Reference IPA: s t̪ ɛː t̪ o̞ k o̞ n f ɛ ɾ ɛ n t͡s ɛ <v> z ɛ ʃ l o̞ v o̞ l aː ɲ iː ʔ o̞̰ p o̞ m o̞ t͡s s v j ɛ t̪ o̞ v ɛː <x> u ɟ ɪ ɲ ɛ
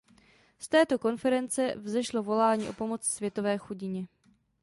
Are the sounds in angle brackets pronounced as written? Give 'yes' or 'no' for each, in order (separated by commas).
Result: yes, yes